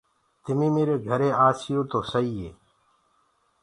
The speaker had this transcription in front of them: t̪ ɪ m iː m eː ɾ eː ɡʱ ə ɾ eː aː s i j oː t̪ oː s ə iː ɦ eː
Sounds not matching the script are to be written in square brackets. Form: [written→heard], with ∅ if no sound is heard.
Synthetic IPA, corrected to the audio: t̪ ɪ m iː m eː ɾ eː ɡʱ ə ɾ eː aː s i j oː t̪ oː s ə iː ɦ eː